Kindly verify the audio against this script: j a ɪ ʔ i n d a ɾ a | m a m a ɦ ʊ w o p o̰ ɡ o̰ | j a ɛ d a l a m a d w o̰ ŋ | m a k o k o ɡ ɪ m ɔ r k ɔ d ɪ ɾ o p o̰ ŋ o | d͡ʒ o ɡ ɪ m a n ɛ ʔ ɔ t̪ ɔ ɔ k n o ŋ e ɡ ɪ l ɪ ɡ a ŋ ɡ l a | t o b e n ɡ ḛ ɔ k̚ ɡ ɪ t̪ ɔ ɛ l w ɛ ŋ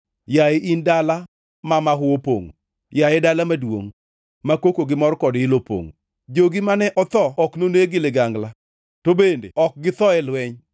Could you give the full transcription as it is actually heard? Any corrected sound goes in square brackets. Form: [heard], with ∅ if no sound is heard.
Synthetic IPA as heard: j a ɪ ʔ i n d a [l] a | m a m a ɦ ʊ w o p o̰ [ŋ] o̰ | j a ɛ d a l a m a d w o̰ ŋ | m a k o k o ɡ ɪ m ɔ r k ɔ d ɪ [l] o p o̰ ŋ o | d͡ʒ o ɡ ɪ m a n ɛ ʔ ɔ t̪ ɔ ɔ k n o [n] e ɡ ɪ l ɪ ɡ a ŋ ɡ l a | t o b e n [d] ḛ ɔ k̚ ɡ ɪ t̪ ɔ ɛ l w ɛ [ɲ]

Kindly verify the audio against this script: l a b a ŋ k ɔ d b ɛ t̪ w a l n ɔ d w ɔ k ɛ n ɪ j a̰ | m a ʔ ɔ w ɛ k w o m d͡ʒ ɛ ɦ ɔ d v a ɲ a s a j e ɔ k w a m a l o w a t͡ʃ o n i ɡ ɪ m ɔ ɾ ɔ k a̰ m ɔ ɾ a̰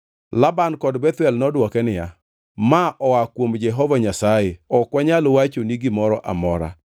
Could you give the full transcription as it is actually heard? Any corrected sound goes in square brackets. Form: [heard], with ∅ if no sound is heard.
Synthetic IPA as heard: l a b a [n] k ɔ d b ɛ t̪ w [ɛ] l n ɔ d w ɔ k ɛ n ɪ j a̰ | m a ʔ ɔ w [a] k w o m d͡ʒ ɛ ɦ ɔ [∅] v a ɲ a s a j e ɔ k w a [ɲ] a l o w a t͡ʃ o n i ɡ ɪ m ɔ ɾ ɔ [ʔ] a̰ m ɔ ɾ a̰

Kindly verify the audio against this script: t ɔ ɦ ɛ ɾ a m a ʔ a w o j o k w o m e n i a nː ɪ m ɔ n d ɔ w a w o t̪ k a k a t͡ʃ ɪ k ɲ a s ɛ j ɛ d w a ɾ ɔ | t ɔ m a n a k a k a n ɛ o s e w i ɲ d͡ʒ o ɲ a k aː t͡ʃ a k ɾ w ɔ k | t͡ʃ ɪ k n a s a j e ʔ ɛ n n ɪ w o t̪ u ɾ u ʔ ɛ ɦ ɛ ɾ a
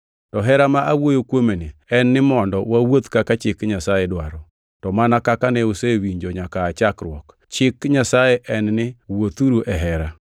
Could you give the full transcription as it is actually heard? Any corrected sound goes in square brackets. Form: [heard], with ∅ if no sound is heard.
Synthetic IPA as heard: t ɔ ɦ ɛ ɾ a m a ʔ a w o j o k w o m e n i [ɛ] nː ɪ m ɔ n d ɔ w a w o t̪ k a k a t͡ʃ ɪ k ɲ a s [a] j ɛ d w a ɾ ɔ | t ɔ m a n a k a k a n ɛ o s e w i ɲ d͡ʒ o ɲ a k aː t͡ʃ a k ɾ w ɔ k | t͡ʃ ɪ k [ɲ] a s a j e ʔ ɛ n n ɪ w o t̪ u ɾ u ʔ ɛ ɦ ɛ ɾ a

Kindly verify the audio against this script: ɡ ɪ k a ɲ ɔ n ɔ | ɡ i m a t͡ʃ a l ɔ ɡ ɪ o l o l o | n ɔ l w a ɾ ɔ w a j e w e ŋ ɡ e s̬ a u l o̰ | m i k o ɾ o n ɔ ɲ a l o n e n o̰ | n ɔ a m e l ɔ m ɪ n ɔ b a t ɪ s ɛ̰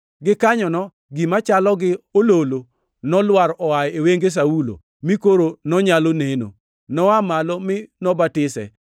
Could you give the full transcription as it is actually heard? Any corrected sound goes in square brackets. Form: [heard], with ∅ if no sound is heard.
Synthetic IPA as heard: ɡ ɪ k a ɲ ɔ n ɔ | ɡ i m a t͡ʃ a l ɔ ɡ ɪ o l o l o | n ɔ l w a ɾ ɔ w a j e w e ŋ ɡ e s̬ a u l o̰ | m i k o ɾ o n ɔ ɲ a l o n e n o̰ | n ɔ a m [a] l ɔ m ɪ n ɔ b a t ɪ s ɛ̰

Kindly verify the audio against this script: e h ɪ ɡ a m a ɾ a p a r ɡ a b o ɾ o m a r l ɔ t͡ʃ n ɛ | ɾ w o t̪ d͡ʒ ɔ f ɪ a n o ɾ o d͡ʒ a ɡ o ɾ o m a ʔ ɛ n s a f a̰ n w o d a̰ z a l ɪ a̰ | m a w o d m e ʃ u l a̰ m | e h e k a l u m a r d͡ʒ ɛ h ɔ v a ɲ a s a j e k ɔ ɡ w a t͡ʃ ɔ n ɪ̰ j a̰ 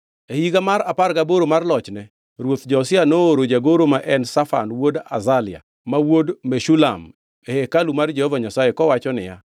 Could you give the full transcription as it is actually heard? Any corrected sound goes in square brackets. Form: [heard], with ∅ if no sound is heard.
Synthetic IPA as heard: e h [i] ɡ a m a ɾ a p a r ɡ a b o ɾ o m a r l ɔ t͡ʃ n ɛ | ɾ w o t̪ d͡ʒ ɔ [s] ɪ a n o ɾ o d͡ʒ a ɡ o ɾ o m a ʔ ɛ n s a f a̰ n w o d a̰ z a l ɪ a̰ | m a w o d m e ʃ u l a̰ m | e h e k a l u m a r d͡ʒ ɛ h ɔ v a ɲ a s a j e k ɔ [∅] w a t͡ʃ ɔ n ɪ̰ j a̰

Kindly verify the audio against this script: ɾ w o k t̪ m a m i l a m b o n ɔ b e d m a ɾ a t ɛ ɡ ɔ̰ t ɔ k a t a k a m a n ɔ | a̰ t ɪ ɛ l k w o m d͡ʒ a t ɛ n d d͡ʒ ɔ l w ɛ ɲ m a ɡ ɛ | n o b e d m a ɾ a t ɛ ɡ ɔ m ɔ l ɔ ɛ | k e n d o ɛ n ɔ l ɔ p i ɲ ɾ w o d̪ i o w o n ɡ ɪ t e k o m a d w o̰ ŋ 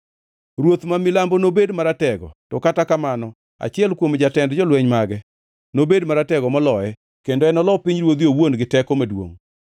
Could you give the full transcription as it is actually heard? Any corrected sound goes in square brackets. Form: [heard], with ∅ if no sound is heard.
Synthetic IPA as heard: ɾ w o [∅] t̪ m a m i l a m b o n [o] b e d m a ɾ a t ɛ ɡ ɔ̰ t ɔ k a t a k a m a n ɔ | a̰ [t͡ʃ] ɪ ɛ l k w o m d͡ʒ a t ɛ n d d͡ʒ ɔ l w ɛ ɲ m a ɡ ɛ | n o b e d m a ɾ a t ɛ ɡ ɔ m ɔ l ɔ ɛ | k e n d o ɛ n ɔ l ɔ p i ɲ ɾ w o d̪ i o w o n ɡ ɪ t [ɛ] k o m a d w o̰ ŋ

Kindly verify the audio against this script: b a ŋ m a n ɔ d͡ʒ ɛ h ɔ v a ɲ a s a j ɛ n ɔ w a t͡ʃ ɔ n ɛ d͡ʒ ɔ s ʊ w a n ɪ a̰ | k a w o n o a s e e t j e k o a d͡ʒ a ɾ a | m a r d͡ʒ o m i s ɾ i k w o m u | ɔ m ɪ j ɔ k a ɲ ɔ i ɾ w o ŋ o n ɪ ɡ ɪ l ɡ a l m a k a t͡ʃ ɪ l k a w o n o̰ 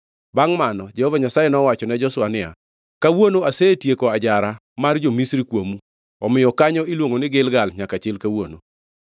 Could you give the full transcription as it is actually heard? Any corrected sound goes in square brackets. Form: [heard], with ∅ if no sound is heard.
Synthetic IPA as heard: b a ŋ m a n ɔ d͡ʒ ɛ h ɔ v a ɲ a s a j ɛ n ɔ w a t͡ʃ ɔ n ɛ d͡ʒ ɔ s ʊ w a n ɪ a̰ | k a w o n o a s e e t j e k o a d͡ʒ a ɾ a | m a r d͡ʒ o m i s ɾ i k w o m u | ɔ m ɪ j ɔ k a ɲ ɔ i [l] w o ŋ o n ɪ ɡ ɪ l ɡ a l [ɲ] a k a t͡ʃ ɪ l k a w o n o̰

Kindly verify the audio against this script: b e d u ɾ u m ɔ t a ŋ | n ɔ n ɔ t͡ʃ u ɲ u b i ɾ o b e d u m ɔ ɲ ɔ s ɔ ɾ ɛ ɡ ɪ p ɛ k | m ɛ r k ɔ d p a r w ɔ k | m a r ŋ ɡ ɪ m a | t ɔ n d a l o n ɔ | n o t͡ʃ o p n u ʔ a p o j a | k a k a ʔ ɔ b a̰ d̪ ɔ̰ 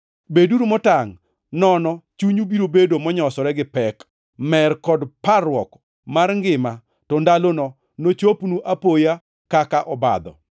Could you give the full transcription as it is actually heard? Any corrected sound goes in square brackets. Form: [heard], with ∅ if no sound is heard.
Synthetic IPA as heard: b e d u ɾ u m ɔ t a ŋ | n ɔ n ɔ t͡ʃ u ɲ u b i ɾ o b e d [o] m ɔ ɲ ɔ s ɔ ɾ ɛ ɡ ɪ p ɛ k | m ɛ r k ɔ d p a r w ɔ k | m a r ŋ ɡ ɪ m a | t ɔ n d a l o n ɔ | n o t͡ʃ o p n u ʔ a p o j a | k a k a ʔ ɔ b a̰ d̪ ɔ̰

